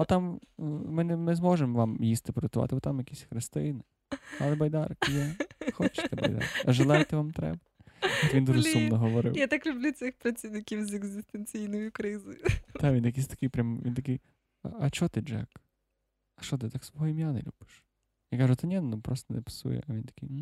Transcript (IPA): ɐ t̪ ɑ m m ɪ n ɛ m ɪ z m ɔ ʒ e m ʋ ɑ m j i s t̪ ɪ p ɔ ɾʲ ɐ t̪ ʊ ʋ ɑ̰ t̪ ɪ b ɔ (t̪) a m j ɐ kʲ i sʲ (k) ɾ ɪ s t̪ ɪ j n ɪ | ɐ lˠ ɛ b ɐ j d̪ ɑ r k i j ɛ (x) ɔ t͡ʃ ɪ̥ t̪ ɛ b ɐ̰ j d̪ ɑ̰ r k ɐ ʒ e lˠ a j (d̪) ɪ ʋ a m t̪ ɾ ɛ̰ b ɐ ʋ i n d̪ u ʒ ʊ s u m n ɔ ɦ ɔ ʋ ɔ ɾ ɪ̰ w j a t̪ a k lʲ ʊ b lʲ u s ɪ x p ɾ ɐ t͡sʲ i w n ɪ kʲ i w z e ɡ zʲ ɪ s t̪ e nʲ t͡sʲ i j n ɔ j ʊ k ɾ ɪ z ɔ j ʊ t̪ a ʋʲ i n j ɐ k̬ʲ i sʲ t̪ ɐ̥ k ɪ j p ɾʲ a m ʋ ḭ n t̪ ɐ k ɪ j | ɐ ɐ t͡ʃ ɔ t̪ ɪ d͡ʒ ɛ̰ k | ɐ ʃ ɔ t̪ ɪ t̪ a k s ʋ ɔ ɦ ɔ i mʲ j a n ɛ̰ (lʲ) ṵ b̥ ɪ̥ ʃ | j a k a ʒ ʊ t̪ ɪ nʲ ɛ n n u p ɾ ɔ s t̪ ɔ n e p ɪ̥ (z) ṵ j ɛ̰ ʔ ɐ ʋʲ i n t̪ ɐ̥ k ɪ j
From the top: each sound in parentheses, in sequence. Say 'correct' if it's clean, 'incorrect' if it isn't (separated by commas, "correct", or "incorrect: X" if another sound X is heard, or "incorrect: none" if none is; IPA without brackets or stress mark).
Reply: correct, incorrect: x, correct, incorrect: t̪, correct, incorrect: s